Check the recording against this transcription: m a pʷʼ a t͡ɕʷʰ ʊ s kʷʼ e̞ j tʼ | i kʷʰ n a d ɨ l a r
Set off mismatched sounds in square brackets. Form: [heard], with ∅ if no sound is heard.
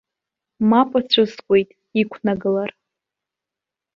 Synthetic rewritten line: m a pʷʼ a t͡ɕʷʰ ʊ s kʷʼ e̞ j tʼ | i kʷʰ n a [ɡ] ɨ l a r